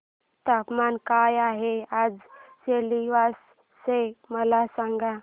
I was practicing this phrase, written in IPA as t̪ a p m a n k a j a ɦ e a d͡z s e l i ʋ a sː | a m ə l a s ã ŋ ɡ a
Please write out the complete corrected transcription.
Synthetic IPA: t̪ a p m a n k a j a ɦ e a d͡z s e l i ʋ a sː | e m ə l a s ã ŋ ɡ a